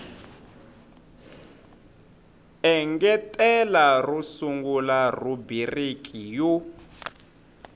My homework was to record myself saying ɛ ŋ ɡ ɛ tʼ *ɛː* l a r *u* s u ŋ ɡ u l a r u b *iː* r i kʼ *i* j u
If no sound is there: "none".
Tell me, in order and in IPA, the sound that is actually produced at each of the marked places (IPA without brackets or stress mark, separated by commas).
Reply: ɛ, u, i, i